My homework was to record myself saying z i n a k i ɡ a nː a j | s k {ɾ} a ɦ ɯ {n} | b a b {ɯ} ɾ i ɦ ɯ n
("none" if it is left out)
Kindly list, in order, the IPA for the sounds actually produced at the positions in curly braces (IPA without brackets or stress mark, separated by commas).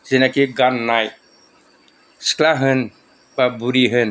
l, n, u